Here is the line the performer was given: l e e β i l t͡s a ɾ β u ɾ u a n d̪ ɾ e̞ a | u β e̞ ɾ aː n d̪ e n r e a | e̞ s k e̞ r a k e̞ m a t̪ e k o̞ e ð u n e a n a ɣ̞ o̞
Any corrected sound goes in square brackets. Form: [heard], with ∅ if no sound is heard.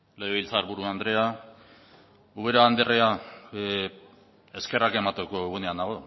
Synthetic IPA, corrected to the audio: l e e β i l t͡s a ɾ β u ɾ u a n d̪ ɾ e̞ a | u β e̞ ɾ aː n d̪ e [∅] r e a | e̞ s k e̞ r a k e̞ m a t̪ e k o̞ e [ɣ] u n e a n a ɣ̞ o̞